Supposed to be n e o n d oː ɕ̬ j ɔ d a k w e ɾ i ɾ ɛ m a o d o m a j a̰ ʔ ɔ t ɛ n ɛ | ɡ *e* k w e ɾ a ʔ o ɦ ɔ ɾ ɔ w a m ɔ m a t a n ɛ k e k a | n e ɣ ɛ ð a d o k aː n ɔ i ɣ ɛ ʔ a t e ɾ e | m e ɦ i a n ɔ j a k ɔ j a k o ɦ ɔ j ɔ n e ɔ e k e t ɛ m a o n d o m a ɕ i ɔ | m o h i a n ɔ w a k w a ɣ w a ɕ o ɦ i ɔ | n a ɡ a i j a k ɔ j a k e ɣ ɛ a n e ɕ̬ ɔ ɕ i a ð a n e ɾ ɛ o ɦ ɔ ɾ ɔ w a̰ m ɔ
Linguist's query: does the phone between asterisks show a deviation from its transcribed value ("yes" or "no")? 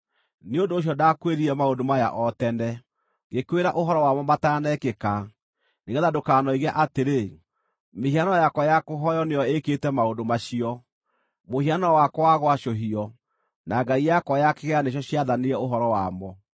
no